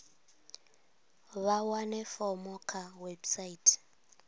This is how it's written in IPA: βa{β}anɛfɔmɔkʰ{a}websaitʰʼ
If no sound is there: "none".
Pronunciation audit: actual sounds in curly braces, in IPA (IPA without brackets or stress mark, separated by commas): w, a